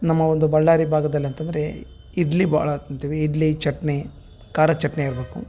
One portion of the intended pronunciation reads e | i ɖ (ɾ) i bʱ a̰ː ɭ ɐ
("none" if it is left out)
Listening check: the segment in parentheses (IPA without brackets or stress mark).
l